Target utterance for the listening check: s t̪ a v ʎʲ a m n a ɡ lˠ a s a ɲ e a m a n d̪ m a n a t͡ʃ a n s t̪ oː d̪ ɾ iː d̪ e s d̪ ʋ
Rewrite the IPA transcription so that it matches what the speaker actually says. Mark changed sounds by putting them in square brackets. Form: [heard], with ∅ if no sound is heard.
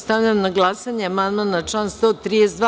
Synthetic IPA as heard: s t̪ a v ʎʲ a m n a ɡ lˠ a s a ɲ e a m a n d̪ m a n a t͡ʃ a n s t̪ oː [t̪] ɾ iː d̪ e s d̪ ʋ